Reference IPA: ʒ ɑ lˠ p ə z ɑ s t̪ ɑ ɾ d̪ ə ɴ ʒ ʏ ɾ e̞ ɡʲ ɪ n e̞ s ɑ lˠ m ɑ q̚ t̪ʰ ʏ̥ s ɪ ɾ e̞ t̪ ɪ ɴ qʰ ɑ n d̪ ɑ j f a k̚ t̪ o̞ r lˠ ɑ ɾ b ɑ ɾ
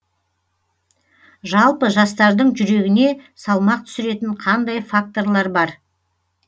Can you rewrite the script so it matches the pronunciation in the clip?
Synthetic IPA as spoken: ʒ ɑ lˠ p ə ʒ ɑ s t̪ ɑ ɾ d̪ ə ɴ ʒ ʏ ɾ e̞ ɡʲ ɪ n e̞ s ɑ lˠ m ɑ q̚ t̪ʰ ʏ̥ s ɪ ɾ e̞ t̪ ɪ ɴ qʰ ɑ n d̪ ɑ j f a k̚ t̪ o̞ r lˠ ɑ ɾ b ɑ ɾ